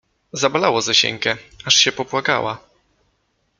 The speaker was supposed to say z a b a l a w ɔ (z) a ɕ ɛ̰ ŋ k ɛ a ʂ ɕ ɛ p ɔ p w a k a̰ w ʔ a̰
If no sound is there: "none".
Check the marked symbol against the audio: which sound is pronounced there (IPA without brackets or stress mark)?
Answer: z